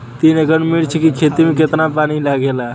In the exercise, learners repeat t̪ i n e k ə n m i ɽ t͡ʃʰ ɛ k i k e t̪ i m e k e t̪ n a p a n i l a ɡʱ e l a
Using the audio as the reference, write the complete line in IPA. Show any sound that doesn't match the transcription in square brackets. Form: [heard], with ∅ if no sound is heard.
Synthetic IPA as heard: t̪ i n e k ə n m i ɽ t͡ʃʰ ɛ k i [kʰ] e t̪ i m e k e t̪ n a p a n i l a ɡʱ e l a